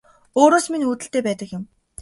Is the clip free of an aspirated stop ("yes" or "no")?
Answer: yes